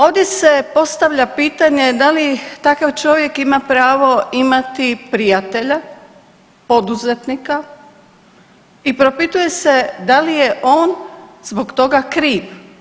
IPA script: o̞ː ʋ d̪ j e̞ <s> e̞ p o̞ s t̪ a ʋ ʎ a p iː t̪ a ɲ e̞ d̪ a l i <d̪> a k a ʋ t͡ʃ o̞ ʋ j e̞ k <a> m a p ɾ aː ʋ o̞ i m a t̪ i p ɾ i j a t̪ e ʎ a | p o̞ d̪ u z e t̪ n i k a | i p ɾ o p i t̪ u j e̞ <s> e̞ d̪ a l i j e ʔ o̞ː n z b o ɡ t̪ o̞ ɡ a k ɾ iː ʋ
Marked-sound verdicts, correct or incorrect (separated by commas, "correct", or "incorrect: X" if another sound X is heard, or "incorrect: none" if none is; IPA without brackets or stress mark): correct, incorrect: t̪, incorrect: i, correct